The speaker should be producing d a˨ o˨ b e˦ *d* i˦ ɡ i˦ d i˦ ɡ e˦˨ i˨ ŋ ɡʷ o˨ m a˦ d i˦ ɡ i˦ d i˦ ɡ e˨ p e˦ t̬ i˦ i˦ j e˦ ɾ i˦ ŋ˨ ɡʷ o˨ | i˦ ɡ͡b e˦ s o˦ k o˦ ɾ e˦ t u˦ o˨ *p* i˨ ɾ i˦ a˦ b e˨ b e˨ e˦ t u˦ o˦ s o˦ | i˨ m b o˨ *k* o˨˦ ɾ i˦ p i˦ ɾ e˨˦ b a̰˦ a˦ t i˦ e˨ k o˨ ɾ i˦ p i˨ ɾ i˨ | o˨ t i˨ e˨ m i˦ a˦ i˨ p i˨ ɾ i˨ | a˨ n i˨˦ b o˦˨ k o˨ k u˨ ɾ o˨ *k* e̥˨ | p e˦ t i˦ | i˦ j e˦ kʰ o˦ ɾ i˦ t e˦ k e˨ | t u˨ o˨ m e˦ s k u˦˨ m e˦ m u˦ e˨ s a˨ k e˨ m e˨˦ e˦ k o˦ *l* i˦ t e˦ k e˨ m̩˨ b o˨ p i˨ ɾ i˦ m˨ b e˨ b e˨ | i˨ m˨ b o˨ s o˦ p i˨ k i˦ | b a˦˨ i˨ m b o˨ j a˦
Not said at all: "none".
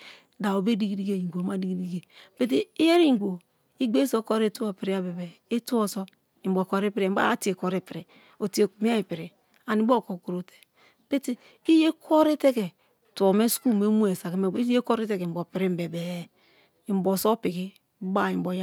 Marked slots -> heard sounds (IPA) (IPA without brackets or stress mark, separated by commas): d, p, k, t, ɾ